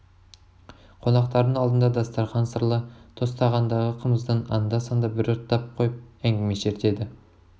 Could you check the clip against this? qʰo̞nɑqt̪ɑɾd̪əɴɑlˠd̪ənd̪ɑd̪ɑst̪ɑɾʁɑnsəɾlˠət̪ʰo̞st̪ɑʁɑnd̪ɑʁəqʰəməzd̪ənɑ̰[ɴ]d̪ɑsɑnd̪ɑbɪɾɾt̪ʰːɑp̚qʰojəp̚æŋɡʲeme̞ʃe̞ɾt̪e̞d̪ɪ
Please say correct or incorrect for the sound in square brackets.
incorrect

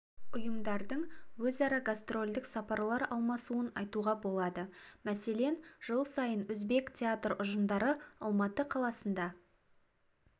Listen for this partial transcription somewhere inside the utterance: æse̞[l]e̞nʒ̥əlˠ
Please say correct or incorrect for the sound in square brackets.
correct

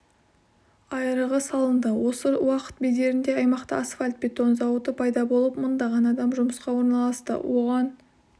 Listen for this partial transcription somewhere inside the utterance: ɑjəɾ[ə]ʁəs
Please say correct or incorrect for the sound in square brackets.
correct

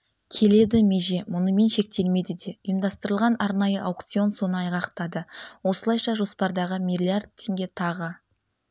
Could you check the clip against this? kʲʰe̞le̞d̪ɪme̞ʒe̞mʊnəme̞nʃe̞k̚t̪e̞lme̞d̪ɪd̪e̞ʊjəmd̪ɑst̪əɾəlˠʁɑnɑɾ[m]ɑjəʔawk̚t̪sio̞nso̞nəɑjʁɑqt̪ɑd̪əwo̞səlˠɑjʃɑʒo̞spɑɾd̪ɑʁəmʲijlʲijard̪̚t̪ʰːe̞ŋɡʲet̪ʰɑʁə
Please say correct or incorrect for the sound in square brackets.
incorrect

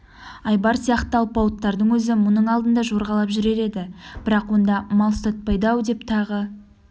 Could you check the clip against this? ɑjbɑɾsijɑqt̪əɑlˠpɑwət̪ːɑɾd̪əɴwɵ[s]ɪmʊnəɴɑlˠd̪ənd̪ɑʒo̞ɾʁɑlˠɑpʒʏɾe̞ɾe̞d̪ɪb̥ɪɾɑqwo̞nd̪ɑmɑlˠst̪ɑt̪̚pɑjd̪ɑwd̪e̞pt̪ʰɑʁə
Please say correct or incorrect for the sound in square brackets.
incorrect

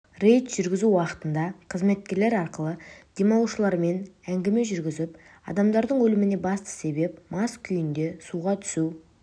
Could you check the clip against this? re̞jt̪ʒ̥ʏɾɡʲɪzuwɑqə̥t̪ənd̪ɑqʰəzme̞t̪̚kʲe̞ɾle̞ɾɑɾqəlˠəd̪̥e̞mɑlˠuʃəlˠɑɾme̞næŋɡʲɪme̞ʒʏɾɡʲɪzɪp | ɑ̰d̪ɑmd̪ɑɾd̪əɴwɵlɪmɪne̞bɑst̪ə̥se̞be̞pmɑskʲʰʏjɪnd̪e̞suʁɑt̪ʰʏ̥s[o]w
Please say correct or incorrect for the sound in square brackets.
incorrect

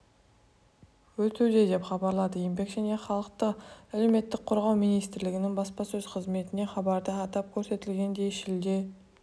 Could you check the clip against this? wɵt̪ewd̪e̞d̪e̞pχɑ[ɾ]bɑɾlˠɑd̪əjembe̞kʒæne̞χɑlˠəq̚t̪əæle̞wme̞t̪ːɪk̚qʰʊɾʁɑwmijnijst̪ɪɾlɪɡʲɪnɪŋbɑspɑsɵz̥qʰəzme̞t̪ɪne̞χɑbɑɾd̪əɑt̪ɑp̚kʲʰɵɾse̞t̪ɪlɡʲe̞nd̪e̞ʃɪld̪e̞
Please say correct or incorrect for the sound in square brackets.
incorrect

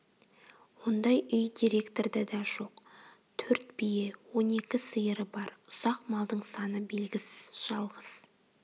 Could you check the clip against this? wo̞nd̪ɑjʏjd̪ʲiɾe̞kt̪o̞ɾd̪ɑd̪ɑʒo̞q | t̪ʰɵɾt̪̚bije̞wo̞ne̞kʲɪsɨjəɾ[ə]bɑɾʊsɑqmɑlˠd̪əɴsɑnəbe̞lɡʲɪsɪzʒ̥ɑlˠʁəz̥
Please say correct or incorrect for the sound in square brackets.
correct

